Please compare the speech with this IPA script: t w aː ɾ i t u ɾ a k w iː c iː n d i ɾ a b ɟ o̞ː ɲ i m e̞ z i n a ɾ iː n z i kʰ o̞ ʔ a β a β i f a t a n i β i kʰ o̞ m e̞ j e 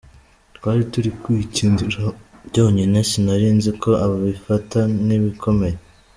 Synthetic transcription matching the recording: t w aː ɾ i t u ɾ i k w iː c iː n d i ɾ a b ɟ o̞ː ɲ i n e̞ s i n a ɾ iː n z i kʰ o̞ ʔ a β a β i f a t a n i β i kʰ o̞ m e̞ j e